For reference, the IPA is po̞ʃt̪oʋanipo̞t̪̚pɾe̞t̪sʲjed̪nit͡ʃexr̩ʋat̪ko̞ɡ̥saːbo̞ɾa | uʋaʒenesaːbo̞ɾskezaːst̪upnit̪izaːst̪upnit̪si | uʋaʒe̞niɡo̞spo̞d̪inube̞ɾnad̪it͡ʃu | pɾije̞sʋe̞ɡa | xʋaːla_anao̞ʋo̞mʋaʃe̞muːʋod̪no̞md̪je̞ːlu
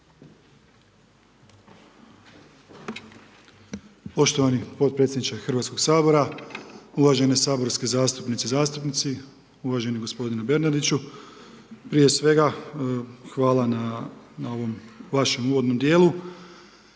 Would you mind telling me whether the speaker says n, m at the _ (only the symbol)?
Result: n